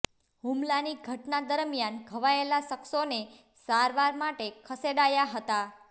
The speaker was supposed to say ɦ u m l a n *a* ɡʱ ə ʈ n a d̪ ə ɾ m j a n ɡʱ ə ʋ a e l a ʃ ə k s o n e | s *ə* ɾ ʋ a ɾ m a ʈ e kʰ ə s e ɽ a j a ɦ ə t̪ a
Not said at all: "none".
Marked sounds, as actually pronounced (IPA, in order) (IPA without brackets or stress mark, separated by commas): i, a